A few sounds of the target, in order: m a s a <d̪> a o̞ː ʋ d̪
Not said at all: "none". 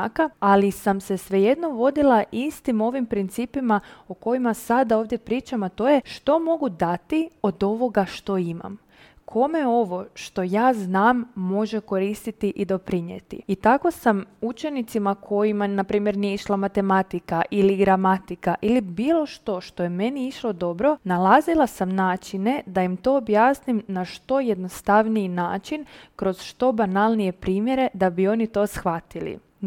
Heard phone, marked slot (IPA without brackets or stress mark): d̪